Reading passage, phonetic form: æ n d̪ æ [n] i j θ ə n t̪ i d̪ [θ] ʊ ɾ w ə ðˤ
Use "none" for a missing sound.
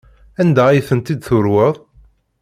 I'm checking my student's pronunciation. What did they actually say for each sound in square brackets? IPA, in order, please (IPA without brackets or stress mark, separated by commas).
none, θ